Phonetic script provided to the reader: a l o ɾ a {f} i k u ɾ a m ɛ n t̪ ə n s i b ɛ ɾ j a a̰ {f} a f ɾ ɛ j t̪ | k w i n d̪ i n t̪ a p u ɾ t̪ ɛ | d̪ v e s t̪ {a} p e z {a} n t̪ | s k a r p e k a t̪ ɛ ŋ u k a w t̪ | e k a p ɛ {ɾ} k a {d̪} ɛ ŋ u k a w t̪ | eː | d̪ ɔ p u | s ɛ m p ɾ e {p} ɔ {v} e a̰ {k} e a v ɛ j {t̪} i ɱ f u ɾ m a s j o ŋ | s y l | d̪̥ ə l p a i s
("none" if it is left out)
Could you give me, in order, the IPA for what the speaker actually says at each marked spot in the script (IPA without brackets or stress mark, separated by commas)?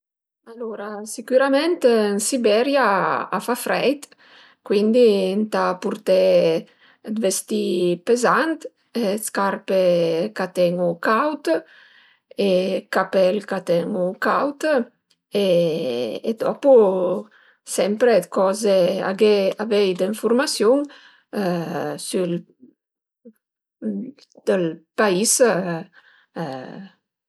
s, f, i, a, l, t̪, k, z, ɡ, d̪